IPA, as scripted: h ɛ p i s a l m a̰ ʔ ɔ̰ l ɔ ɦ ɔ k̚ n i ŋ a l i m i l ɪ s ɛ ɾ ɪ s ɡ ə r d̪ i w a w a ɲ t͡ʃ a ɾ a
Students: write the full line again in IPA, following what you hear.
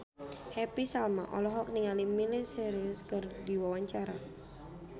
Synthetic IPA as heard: h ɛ p i s a l m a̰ ʔ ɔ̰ l ɔ ɦ ɔ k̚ n i ŋ a l i m i l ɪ s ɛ ɾ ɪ s k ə r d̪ i w a w a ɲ t͡ʃ a ɾ a